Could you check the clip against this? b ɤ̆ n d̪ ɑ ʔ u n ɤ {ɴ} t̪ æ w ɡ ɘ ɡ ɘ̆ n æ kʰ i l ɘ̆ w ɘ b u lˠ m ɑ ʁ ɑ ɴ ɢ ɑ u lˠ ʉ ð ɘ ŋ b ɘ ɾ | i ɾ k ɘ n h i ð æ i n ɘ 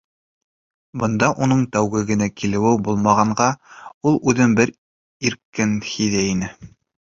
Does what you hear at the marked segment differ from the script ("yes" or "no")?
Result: no